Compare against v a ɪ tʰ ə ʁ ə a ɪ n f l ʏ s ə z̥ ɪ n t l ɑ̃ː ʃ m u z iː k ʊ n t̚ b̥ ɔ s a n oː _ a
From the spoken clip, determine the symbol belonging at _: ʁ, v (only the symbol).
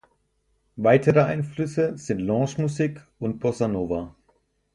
v